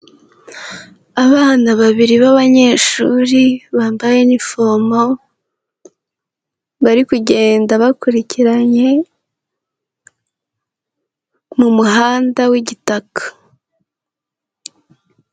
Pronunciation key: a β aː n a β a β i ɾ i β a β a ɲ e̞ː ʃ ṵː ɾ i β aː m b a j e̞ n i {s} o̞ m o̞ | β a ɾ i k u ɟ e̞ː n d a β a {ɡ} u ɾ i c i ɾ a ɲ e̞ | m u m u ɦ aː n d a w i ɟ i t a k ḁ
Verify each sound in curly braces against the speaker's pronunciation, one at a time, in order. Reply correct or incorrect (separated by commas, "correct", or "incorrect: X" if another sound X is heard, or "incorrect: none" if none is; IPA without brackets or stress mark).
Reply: incorrect: f, incorrect: k